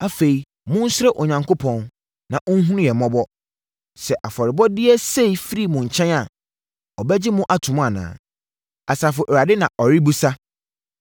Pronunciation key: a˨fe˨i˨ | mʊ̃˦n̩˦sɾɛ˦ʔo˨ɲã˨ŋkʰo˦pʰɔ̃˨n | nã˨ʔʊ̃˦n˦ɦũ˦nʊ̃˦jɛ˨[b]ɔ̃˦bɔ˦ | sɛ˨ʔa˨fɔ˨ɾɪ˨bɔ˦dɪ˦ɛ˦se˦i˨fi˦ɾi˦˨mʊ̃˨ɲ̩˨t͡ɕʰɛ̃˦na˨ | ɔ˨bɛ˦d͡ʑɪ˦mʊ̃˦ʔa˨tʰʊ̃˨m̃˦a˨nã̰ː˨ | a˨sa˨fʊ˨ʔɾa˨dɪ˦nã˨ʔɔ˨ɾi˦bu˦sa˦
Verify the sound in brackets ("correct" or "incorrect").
incorrect